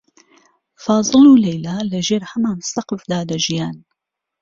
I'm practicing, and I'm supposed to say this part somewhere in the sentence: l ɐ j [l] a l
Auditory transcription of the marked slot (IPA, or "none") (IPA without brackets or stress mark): l